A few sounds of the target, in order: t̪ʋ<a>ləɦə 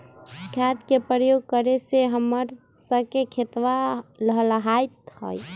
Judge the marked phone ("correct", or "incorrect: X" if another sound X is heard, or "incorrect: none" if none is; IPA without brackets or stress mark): correct